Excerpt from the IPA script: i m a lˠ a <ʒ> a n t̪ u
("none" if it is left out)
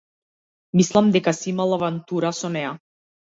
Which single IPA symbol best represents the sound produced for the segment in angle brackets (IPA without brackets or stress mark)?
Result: v